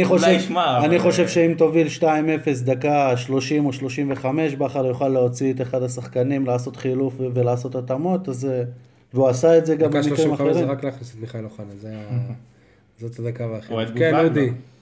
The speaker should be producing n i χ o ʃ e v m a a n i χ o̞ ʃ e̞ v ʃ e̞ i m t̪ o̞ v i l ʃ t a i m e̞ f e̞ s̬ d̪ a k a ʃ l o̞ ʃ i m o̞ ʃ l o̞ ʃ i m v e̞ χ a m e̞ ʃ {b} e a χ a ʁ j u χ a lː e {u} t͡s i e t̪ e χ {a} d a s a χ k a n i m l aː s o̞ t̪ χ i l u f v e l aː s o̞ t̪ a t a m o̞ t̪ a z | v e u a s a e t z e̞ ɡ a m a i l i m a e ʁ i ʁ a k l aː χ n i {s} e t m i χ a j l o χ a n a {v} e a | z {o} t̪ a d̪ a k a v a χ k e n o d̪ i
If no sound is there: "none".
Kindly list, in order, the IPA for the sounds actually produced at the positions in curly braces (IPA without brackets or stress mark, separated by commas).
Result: b, o, a, s, z, o